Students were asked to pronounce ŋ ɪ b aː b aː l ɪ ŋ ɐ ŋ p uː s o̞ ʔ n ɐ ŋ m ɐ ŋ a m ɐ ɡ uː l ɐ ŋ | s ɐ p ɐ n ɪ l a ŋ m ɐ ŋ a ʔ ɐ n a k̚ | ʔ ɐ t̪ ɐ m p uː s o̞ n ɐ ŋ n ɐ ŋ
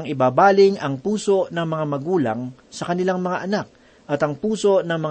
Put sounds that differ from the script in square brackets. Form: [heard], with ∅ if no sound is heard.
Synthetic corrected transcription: ŋ ɪ b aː b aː l ɪ ŋ ɐ ŋ p uː s o̞ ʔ n ɐ ŋ m ɐ ŋ a m ɐ ɡ uː l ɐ ŋ | s ɐ [k] ɐ n ɪ l a ŋ m ɐ ŋ a ʔ ɐ n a k̚ | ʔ ɐ t̪ ɐ [ŋ] p uː s o̞ n ɐ ŋ [m] ɐ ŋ